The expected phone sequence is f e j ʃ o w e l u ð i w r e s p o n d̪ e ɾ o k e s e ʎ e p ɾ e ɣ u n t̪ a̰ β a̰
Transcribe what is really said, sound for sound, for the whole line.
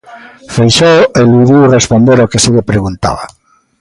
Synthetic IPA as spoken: f e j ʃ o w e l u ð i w r e s p o n d̪ e ɾ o k e s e ʎ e p ɾ e ɣ u n t̪ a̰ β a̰